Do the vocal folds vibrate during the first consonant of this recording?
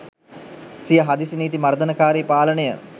no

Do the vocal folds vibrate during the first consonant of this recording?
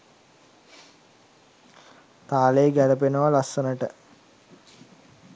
no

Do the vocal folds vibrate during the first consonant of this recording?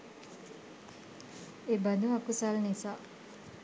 yes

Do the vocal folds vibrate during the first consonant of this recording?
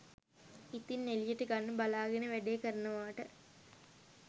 no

